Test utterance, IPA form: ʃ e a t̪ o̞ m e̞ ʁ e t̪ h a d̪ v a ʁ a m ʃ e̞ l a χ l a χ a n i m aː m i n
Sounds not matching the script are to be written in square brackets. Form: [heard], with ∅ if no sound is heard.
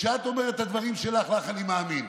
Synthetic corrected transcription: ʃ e a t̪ o̞ m e̞ ʁ e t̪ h a d̪ v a ʁ [i] m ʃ e̞ l a χ l a χ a n i m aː m i n